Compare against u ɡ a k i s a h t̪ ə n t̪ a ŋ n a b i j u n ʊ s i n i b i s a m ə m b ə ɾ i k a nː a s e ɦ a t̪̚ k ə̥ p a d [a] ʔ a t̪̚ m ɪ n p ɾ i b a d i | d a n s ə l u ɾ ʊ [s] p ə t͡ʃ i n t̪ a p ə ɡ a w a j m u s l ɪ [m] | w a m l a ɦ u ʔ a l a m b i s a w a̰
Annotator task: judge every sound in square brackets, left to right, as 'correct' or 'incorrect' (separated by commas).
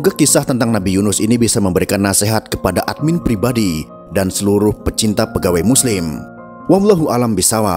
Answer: correct, incorrect, correct